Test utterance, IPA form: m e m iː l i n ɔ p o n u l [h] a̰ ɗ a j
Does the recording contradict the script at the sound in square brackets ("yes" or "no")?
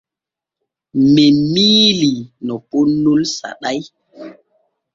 yes